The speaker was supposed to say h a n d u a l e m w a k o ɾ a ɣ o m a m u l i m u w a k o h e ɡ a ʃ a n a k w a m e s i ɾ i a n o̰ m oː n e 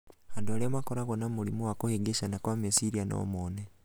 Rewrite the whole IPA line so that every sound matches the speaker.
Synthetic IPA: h a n d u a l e m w a k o ɾ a ɣ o n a m u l i m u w a k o h e ɡ e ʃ a n a k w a m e s i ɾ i a n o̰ m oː n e